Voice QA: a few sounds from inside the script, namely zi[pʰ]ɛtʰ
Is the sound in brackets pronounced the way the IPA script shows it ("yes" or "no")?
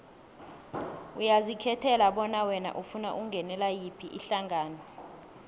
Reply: no